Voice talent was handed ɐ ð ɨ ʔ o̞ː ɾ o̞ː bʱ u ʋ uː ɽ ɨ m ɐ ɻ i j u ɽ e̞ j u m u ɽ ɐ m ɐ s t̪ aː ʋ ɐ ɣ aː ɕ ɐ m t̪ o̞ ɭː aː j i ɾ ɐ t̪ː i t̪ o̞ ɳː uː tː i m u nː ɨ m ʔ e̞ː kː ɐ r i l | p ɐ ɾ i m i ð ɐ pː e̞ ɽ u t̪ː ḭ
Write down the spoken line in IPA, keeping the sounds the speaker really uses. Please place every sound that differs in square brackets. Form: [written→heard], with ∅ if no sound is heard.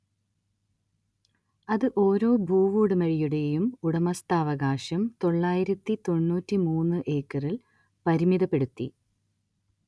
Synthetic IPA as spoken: ɐ ð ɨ ʔ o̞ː ɾ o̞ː bʱ [u→uː] ʋ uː ɽ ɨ m ɐ ɻ i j u ɽ e̞ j u m u ɽ ɐ m ɐ s t̪ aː ʋ ɐ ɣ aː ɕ ɐ m t̪ o̞ ɭː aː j i ɾ ɐ t̪ː i t̪ o̞ ɳː uː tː i m [u→uː] nː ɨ [m→∅] ʔ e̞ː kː ɐ r i l | p ɐ ɾ i m i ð ɐ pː e̞ ɽ u t̪ː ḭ